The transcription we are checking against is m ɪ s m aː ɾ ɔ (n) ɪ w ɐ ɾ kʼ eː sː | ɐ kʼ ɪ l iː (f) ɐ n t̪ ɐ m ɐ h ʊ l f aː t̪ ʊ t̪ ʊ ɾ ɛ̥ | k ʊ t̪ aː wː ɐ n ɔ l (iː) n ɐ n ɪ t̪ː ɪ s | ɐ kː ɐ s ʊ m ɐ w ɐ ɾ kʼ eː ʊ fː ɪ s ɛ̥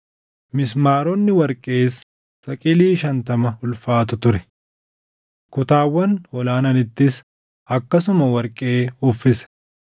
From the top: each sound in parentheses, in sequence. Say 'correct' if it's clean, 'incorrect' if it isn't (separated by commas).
incorrect, incorrect, incorrect